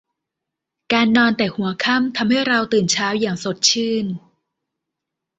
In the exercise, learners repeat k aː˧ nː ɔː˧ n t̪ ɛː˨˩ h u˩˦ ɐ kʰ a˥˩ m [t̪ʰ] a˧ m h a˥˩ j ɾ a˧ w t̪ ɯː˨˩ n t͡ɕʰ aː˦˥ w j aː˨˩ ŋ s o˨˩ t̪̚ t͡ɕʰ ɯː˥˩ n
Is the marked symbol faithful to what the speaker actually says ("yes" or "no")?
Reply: yes